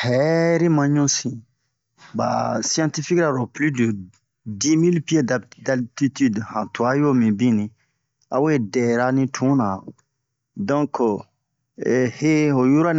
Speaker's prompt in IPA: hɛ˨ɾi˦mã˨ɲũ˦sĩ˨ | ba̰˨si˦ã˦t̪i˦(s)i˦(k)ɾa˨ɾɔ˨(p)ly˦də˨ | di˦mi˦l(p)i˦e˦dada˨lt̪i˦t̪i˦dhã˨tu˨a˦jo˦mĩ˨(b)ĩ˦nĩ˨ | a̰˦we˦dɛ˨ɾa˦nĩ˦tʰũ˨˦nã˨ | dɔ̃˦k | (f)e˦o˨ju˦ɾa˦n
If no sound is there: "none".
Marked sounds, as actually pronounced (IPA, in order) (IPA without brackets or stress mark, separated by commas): f, k, p, p, b, h